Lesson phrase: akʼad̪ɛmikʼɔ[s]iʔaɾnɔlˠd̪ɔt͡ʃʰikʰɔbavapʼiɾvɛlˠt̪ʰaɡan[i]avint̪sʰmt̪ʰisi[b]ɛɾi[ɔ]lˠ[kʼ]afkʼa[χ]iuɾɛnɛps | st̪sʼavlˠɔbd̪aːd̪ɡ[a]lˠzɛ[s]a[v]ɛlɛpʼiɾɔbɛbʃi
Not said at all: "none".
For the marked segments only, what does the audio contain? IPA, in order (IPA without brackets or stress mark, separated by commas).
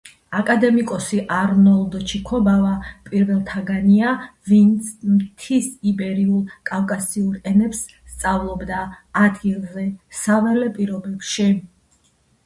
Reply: s, i, b, u, kʼ, s, i, s, v